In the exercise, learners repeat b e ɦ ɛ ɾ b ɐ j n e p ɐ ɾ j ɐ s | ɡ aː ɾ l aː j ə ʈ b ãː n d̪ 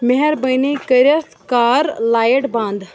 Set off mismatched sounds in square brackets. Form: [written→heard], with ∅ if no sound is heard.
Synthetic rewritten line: [b→m] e ɦ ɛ ɾ b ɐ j n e [p→k] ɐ ɾ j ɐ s | [ɡ→k] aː ɾ l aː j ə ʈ b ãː n d̪